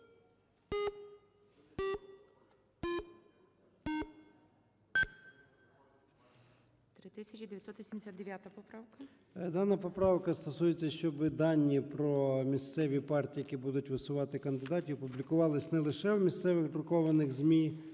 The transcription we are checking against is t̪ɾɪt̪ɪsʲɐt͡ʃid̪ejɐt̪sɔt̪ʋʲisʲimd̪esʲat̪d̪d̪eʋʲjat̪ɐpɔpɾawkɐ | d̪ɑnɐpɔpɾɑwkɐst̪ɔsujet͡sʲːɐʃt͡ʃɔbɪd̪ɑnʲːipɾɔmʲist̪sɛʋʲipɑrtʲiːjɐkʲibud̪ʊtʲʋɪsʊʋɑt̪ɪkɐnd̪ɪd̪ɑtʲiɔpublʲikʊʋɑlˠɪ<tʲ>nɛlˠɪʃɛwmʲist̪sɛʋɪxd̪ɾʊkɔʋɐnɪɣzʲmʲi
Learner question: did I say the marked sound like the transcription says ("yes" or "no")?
no